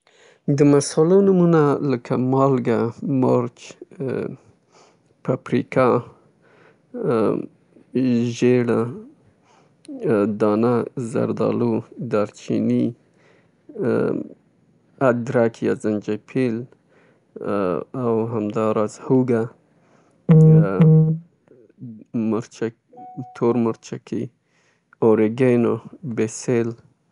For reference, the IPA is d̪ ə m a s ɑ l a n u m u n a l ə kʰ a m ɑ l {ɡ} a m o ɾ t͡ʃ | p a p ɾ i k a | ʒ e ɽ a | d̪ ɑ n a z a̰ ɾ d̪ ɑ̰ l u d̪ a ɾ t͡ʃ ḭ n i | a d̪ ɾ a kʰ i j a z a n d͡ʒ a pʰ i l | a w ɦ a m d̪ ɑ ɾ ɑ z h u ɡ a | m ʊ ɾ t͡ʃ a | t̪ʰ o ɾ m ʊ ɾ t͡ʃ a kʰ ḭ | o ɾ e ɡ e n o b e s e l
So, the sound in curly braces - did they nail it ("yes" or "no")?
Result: yes